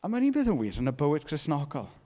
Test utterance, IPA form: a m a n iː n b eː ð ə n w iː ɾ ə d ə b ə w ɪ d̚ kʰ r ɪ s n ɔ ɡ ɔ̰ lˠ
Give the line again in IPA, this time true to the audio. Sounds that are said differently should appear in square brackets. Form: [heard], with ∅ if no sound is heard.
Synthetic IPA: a m a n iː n b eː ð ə n w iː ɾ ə [n] ə b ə w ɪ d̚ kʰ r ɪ s n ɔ ɡ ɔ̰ lˠ